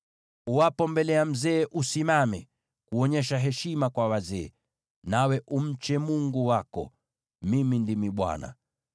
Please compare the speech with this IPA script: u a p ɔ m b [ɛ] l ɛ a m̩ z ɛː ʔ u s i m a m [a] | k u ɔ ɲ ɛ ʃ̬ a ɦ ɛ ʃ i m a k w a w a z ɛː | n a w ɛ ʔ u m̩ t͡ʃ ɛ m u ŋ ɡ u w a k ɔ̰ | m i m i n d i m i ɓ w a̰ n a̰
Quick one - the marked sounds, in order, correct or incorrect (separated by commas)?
correct, incorrect